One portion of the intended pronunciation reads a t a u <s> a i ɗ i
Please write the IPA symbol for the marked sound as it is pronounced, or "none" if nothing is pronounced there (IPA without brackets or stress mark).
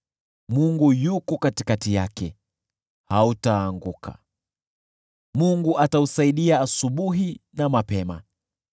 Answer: s